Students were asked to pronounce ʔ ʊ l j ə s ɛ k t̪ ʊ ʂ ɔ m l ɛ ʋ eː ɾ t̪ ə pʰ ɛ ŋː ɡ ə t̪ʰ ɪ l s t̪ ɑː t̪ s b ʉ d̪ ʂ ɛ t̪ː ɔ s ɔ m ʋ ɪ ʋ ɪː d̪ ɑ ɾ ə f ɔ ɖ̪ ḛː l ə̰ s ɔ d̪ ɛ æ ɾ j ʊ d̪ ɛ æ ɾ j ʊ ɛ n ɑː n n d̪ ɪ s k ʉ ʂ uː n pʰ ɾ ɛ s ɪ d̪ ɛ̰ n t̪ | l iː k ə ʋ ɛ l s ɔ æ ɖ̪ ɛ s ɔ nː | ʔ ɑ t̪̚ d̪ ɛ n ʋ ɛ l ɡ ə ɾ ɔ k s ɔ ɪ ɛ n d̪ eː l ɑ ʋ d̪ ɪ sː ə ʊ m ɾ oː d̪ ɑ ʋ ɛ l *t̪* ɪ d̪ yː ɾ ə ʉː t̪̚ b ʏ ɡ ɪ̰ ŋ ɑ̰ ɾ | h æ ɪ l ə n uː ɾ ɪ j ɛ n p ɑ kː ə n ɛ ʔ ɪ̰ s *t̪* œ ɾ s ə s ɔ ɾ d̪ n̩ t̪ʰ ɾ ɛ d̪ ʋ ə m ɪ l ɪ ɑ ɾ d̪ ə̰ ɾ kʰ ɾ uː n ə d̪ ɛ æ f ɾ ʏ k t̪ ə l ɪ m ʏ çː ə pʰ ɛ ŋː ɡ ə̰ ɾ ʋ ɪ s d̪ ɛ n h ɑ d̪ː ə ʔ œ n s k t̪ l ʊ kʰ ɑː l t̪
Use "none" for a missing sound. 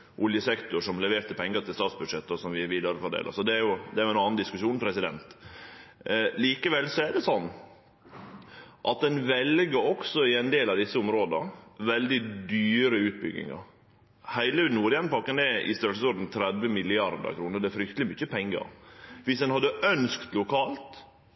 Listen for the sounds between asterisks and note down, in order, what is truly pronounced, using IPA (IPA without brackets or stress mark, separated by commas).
d̪, t̪